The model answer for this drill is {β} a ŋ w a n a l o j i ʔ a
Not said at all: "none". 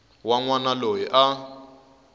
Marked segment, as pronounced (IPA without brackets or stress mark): w